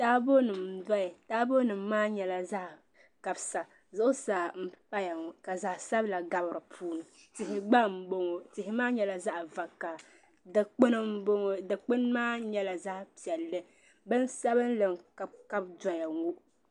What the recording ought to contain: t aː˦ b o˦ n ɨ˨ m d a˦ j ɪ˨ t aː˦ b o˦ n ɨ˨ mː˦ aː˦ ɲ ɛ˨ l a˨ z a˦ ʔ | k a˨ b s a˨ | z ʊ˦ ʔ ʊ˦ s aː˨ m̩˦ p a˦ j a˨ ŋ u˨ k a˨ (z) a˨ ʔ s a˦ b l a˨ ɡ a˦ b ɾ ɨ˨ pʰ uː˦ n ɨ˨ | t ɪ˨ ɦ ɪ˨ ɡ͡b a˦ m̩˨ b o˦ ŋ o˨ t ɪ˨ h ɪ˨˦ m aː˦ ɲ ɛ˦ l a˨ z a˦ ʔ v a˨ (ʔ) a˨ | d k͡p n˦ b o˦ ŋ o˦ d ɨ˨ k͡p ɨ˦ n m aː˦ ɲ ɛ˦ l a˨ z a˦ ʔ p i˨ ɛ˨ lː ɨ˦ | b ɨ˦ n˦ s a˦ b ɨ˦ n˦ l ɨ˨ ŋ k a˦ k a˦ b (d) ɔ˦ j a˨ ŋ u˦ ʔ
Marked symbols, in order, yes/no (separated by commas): yes, no, yes